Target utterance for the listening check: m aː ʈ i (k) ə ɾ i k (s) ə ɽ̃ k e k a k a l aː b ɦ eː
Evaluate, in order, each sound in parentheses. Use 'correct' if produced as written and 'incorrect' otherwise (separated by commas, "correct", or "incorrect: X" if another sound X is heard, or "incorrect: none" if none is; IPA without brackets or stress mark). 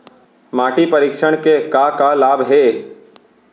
incorrect: p, incorrect: ʃ